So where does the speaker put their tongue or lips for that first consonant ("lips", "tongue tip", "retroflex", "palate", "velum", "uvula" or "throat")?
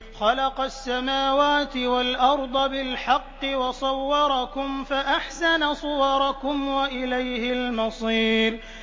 velum